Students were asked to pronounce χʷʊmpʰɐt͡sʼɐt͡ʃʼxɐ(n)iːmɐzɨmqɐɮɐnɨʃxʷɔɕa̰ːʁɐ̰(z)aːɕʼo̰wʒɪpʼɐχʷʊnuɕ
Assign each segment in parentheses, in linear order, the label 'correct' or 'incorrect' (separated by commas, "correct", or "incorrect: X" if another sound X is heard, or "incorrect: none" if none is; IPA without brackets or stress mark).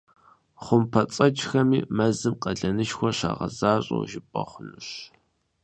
incorrect: m, correct